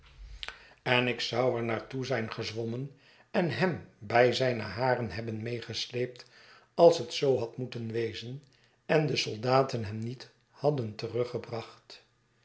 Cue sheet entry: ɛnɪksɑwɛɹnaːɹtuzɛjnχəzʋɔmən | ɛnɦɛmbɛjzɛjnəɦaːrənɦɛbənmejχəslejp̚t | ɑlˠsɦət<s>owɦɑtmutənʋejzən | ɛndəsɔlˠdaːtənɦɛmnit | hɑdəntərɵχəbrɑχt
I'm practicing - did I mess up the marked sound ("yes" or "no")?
no